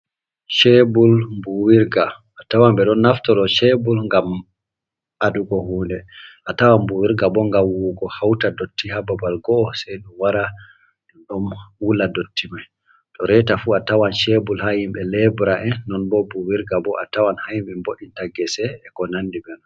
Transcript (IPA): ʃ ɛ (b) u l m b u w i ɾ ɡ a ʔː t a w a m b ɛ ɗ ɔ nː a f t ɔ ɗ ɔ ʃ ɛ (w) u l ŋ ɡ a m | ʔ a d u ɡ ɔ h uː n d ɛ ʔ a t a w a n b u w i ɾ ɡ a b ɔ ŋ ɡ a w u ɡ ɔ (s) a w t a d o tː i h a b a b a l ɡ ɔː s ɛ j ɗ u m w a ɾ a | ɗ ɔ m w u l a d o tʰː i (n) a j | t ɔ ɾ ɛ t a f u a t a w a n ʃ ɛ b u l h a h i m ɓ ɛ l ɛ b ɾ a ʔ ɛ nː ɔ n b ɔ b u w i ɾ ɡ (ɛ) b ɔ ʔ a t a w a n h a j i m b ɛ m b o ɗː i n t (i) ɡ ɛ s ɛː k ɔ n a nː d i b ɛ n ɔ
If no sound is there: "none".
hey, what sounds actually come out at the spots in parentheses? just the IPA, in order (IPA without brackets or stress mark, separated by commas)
b, b, h, m, a, a